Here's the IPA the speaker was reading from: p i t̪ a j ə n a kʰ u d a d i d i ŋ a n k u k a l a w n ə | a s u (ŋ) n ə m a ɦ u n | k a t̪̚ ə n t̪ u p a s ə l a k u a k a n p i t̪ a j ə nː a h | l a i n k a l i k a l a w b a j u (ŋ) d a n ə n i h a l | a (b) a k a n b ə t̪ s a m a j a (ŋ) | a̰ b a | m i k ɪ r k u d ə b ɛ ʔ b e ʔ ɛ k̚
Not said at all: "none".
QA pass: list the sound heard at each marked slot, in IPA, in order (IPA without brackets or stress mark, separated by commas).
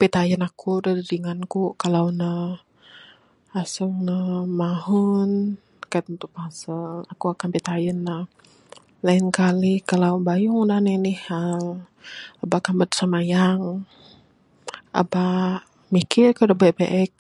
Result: ŋ, ŋ, b, ŋ